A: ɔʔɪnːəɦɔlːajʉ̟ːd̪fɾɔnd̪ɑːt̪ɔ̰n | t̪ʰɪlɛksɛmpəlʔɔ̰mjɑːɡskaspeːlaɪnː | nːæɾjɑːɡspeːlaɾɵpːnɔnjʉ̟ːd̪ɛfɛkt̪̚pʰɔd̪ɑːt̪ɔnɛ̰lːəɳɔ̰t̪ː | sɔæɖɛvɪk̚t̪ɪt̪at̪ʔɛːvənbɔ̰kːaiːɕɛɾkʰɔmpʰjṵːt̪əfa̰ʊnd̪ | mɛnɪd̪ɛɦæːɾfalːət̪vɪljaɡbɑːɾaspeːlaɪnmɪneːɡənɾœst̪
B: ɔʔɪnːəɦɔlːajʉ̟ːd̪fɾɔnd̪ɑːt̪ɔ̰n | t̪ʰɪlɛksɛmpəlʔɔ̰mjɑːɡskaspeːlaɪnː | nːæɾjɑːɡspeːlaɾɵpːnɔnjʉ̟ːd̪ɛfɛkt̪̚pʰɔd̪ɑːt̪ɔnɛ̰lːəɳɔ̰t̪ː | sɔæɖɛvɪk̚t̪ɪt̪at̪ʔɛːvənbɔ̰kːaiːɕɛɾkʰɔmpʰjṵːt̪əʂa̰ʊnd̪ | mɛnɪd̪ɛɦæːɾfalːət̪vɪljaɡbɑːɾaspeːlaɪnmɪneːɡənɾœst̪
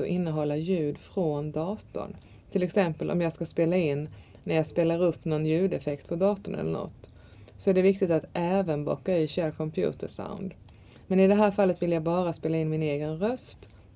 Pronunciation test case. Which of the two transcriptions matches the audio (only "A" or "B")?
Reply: B